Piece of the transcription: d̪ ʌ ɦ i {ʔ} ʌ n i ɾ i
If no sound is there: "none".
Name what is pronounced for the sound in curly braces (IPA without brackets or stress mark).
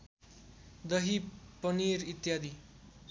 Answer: p